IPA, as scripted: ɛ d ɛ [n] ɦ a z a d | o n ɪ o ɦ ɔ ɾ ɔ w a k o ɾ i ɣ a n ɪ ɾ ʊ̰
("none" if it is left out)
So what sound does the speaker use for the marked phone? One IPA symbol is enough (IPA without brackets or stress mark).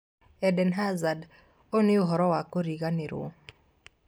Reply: n